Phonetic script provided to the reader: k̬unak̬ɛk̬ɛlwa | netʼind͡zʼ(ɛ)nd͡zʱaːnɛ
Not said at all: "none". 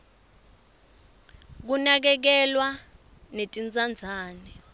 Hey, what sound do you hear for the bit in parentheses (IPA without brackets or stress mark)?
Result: a